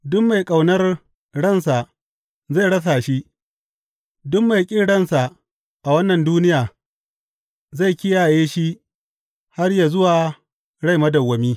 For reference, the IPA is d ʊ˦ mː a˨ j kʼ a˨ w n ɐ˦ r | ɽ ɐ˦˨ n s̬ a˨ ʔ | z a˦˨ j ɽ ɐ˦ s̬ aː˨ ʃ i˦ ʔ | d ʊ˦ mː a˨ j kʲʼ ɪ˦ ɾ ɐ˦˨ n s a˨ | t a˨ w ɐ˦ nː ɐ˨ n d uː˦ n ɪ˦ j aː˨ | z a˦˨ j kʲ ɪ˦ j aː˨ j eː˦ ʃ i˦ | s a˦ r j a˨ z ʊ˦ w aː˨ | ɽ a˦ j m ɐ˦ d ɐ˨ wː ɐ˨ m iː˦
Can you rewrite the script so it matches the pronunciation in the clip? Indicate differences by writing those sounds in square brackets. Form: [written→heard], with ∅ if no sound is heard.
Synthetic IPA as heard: d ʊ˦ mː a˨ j kʼ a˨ w n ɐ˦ r | ɽ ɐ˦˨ n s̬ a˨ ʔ | z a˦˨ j ɽ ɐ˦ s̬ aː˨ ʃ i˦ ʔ | d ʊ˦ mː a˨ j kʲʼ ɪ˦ [ɾ→ɽ] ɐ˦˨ n s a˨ | [t→ʔ] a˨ w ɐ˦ nː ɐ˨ n d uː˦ n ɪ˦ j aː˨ | z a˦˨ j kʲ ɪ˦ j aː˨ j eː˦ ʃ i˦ | [s→h] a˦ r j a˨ z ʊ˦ w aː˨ | ɽ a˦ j m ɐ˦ d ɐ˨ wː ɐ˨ m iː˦